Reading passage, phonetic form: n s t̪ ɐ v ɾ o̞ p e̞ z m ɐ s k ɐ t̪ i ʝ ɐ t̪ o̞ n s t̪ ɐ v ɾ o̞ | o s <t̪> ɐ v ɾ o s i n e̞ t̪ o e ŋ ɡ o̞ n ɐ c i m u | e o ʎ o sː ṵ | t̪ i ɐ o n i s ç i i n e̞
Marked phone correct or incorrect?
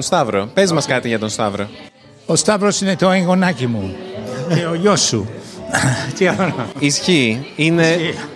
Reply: correct